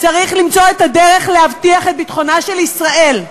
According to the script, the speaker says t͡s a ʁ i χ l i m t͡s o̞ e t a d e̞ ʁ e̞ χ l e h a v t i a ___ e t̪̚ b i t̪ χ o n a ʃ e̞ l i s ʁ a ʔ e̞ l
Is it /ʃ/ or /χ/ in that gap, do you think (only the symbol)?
χ